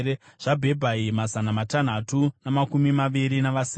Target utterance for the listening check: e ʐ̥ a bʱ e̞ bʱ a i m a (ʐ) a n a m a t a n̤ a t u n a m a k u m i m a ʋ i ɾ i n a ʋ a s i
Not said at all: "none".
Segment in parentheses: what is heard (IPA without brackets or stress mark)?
z